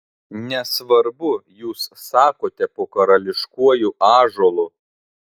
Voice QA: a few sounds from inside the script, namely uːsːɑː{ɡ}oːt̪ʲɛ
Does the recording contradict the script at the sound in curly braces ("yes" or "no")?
yes